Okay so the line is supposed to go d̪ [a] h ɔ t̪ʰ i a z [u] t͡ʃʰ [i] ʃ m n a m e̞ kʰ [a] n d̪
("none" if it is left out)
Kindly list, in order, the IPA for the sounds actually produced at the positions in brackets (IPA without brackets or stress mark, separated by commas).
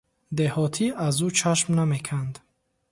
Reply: e, u, a, a